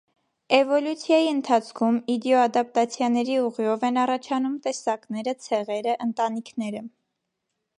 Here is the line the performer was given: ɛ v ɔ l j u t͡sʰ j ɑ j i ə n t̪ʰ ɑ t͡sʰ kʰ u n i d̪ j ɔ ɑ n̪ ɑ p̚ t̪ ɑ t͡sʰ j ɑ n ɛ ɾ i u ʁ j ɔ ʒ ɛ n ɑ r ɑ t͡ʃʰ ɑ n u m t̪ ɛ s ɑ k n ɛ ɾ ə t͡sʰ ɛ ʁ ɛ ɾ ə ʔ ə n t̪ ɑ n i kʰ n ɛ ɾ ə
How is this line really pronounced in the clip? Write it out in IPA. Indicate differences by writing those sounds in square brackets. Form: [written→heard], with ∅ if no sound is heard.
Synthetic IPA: ɛ v ɔ l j u t͡sʰ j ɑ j i ə n t̪ʰ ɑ t͡sʰ kʰ u [n→m] i d̪ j ɔ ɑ [n̪→d̪] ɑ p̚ t̪ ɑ t͡sʰ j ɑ n ɛ ɾ i u ʁ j ɔ [ʒ→v] ɛ n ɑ r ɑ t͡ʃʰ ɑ n u m t̪ ɛ s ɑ k n ɛ ɾ ə t͡sʰ ɛ ʁ ɛ ɾ ə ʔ ə n t̪ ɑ n i kʰ n ɛ ɾ ə